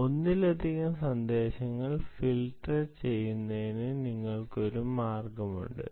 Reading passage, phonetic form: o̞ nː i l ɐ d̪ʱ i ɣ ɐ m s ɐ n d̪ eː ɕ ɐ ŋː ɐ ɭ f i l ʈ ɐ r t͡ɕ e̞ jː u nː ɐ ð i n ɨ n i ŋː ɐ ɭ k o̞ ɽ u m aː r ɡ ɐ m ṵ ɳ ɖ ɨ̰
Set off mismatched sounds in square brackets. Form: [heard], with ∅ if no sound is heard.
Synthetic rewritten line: o̞ nː i l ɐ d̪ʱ i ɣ ɐ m s ɐ n d̪ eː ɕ ɐ ŋː ɐ ɭ f i l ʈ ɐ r t͡ɕ e̞ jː u nː ɐ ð i n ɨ n i ŋː ɐ ɭ k o̞ [ɾ] u m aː r ɡ ɐ m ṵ ɳ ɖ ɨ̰